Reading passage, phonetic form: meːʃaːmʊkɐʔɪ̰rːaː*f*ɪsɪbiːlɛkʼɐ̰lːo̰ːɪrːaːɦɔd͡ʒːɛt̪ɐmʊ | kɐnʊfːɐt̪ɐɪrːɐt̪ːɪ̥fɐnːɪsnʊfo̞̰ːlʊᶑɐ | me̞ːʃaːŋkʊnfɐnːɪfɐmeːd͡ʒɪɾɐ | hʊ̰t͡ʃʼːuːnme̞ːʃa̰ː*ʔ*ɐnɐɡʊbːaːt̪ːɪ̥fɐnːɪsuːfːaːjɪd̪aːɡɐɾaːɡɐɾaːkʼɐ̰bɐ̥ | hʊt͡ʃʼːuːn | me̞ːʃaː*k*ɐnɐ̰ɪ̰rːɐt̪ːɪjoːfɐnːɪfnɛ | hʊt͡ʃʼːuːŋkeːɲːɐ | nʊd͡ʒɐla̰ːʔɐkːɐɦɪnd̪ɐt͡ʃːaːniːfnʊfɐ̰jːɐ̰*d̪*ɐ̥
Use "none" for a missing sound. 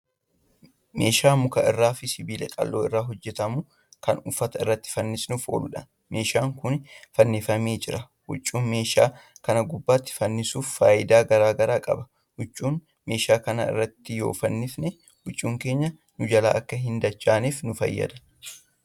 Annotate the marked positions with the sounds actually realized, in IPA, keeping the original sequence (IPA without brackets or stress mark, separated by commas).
f, k, k, d̪